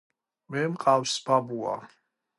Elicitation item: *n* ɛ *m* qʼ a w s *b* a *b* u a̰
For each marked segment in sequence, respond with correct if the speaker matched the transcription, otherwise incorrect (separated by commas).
incorrect, correct, correct, correct